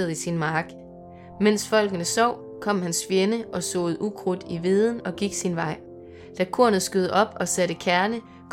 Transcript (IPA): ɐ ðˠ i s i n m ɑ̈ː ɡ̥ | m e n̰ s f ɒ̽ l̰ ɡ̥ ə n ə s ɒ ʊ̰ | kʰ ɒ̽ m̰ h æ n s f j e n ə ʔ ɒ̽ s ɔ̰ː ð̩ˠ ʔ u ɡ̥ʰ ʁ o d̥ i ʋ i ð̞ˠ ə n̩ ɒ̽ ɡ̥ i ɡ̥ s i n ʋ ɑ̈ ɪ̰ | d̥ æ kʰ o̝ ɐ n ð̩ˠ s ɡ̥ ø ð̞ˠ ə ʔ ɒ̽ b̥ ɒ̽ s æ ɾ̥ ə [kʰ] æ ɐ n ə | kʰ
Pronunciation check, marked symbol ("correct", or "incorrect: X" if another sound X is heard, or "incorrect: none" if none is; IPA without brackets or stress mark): correct